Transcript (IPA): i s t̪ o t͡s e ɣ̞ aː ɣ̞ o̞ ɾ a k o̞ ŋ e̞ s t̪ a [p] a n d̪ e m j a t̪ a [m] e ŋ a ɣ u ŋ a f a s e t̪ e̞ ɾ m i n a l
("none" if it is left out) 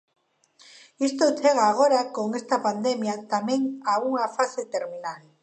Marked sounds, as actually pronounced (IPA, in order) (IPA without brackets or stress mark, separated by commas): p, m